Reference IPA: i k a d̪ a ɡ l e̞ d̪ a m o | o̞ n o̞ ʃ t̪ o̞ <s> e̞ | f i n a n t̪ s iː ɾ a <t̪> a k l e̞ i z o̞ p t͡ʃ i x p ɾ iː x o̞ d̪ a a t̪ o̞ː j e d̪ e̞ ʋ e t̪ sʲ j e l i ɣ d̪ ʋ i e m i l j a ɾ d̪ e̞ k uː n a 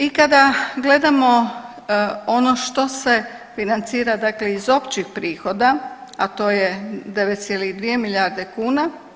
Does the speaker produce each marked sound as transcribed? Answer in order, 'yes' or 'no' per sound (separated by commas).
yes, no